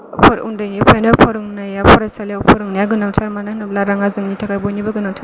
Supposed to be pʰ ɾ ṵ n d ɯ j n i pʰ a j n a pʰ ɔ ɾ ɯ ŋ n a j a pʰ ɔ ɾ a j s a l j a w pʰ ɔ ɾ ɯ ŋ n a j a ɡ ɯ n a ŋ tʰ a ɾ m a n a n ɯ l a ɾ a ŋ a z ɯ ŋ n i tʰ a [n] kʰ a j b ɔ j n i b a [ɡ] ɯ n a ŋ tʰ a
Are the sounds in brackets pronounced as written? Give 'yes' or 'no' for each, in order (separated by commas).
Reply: no, yes